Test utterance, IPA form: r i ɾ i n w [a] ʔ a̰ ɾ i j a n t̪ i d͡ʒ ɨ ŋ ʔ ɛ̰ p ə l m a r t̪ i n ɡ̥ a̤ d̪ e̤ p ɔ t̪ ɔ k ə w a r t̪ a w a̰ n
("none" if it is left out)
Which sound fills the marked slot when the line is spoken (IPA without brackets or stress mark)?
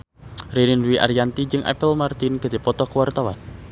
i